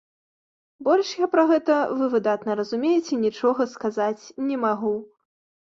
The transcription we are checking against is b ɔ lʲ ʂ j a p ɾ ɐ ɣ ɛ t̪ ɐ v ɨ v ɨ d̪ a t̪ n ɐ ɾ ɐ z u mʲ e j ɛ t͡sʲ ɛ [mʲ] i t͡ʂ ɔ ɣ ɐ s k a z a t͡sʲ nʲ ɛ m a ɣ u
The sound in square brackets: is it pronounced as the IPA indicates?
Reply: no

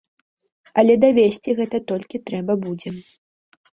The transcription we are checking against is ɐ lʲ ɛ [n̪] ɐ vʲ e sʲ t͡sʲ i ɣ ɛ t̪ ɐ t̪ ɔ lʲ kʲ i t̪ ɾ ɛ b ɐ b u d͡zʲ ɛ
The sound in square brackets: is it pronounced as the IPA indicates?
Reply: no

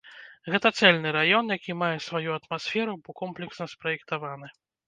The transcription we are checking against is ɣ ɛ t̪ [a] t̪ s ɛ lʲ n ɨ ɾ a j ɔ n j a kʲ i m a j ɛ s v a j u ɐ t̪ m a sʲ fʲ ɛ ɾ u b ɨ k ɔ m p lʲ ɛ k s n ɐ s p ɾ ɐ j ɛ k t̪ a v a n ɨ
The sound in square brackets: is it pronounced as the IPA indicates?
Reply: no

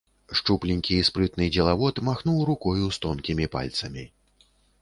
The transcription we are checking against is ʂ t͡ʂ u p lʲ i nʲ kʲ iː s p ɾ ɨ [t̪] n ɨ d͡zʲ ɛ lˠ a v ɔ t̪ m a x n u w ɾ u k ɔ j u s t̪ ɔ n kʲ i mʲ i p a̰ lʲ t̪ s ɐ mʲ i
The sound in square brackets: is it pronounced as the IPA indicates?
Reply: yes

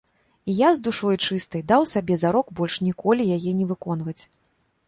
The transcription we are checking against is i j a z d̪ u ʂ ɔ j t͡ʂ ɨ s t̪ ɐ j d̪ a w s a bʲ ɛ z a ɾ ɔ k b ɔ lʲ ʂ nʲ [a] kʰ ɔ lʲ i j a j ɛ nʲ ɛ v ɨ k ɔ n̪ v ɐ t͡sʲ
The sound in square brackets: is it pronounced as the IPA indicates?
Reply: no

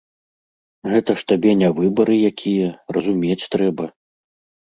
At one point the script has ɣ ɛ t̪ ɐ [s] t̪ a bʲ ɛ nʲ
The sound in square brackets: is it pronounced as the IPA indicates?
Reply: no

